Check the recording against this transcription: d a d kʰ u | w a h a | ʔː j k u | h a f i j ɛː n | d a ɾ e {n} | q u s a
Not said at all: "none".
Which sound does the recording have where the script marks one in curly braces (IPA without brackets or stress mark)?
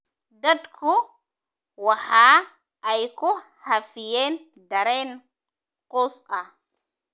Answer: n